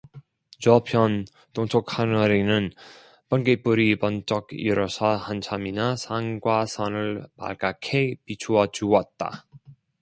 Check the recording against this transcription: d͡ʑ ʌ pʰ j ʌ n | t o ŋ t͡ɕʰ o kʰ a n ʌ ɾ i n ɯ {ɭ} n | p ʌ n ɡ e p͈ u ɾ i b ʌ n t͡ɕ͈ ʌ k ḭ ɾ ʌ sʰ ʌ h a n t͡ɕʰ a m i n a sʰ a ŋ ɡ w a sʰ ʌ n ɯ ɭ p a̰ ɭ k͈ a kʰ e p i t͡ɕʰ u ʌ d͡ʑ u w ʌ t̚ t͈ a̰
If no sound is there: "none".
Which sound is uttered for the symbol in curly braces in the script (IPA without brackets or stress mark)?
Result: none